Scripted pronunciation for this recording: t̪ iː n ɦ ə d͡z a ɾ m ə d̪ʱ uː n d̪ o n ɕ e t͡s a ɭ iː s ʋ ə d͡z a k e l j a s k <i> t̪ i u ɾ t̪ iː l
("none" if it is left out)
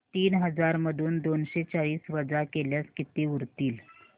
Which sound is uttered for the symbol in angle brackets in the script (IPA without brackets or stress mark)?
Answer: i